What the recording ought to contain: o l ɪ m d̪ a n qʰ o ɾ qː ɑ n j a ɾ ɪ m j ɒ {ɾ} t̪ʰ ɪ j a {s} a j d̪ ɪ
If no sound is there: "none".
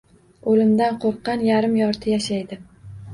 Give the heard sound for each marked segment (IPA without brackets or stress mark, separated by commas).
ɾ, ʃ